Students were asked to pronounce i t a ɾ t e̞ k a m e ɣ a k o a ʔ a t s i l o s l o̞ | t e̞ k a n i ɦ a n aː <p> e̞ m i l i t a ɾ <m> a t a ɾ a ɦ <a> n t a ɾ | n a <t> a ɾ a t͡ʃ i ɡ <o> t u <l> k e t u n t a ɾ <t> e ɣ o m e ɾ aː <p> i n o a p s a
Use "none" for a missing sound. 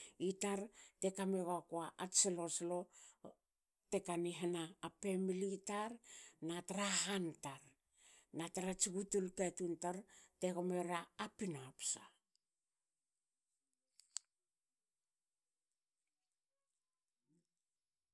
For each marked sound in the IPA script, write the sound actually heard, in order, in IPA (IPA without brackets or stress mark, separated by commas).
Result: p, n, a, t, u, l, t, p